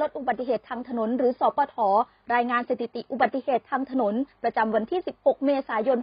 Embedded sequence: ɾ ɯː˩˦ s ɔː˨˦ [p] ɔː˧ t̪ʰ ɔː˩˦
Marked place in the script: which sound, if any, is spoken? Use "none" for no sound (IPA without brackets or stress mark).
p